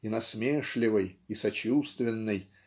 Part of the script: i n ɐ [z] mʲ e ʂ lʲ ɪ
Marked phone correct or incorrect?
incorrect